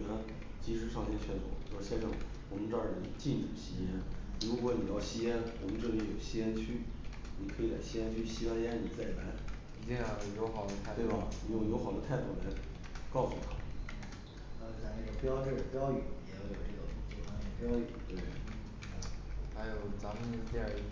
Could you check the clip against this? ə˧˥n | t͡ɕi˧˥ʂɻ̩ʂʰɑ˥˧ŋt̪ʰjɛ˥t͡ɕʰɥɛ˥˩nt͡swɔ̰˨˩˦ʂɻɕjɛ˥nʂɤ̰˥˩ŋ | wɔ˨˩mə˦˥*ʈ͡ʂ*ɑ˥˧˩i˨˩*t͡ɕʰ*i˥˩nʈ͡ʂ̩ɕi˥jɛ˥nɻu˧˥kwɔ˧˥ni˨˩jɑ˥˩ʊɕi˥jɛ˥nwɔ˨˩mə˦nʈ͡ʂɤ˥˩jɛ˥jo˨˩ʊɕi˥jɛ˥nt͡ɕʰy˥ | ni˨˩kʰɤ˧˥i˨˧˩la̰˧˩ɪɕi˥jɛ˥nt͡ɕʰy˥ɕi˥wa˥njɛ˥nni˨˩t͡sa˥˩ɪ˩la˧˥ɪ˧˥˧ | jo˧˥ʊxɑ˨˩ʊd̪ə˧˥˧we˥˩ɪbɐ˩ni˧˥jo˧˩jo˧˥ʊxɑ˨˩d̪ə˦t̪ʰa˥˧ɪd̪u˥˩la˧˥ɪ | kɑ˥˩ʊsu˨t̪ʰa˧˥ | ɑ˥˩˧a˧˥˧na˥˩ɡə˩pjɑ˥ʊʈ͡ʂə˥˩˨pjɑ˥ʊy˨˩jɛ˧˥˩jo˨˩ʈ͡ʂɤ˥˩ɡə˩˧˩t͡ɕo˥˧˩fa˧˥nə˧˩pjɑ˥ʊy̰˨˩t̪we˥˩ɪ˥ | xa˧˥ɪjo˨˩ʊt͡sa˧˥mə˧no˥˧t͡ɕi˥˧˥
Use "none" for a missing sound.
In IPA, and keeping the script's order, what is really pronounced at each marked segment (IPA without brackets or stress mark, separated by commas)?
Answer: ʈ͡ʂ, t͡ɕ